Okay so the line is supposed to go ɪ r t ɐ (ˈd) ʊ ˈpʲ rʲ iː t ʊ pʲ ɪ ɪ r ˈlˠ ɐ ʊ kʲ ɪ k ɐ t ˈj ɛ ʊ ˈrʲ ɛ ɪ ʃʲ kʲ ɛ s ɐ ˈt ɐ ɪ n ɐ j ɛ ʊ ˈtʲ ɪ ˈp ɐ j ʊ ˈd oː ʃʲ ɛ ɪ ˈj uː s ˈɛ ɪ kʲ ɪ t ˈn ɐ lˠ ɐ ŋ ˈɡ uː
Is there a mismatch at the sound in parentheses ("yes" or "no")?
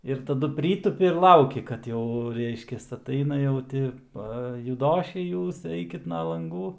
no